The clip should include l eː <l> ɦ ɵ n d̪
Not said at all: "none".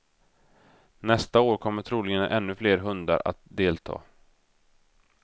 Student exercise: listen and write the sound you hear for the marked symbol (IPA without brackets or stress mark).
ɾ